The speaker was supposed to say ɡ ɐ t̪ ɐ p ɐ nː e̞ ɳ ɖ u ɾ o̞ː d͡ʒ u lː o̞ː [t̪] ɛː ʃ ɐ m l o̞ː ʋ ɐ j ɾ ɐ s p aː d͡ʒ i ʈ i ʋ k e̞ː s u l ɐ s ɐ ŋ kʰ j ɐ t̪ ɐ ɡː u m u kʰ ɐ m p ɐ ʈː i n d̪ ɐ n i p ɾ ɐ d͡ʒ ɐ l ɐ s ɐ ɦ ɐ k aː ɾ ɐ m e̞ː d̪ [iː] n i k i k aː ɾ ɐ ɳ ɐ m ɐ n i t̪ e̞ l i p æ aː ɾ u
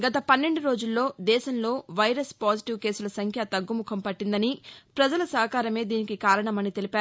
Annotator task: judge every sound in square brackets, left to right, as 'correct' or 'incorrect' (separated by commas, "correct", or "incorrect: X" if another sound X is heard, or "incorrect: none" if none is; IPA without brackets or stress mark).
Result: incorrect: d̪, correct